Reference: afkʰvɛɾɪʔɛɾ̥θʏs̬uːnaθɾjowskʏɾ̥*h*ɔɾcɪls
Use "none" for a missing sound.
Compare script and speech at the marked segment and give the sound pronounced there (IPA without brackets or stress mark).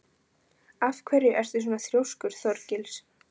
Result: θ